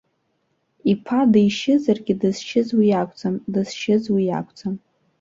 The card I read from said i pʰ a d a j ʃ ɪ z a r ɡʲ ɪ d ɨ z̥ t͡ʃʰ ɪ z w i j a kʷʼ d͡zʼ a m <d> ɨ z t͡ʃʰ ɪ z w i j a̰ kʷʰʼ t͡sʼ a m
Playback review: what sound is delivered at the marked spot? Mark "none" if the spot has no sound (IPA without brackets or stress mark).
d